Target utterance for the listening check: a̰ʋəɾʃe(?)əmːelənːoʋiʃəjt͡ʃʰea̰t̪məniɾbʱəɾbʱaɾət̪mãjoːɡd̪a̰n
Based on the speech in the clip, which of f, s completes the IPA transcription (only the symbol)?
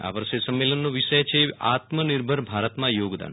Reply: s